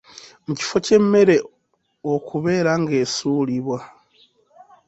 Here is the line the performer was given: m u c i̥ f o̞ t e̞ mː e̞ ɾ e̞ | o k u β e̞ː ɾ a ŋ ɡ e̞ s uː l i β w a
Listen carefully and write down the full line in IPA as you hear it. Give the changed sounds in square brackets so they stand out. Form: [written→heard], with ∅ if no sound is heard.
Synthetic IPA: m u c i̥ f o̞ [t→c] e̞ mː e̞ ɾ e̞ | o k u β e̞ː ɾ a ŋ ɡ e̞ s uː l i β w a